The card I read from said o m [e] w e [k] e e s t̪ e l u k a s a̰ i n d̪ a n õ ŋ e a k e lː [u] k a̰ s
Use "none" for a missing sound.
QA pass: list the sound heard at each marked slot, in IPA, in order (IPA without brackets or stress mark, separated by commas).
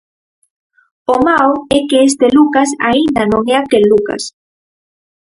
a, k, u